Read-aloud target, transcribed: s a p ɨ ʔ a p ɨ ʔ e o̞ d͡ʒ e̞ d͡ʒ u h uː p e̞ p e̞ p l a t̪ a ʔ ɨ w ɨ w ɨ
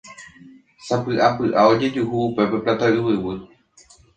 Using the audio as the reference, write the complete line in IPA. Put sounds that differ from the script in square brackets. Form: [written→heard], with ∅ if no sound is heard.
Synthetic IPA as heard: s a p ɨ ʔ a p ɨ ʔ [e→a] o̞ d͡ʒ e̞ d͡ʒ u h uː p e̞ p e̞ p l a t̪ a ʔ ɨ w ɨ w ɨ